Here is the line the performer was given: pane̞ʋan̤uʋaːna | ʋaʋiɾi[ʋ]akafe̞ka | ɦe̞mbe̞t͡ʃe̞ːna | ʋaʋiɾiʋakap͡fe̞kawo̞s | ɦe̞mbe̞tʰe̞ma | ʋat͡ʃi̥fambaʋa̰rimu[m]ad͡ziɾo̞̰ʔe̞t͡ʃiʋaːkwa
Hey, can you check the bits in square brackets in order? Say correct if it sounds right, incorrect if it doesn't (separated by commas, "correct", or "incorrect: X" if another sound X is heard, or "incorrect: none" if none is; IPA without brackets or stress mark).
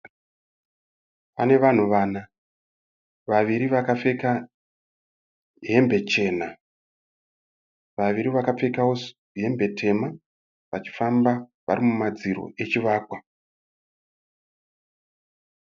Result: correct, correct